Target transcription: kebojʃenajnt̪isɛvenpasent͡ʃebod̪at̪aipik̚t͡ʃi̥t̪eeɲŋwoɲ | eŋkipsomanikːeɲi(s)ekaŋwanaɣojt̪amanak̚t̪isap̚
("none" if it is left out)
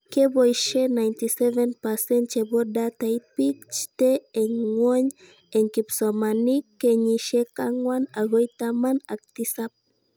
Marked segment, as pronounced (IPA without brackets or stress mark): ʃ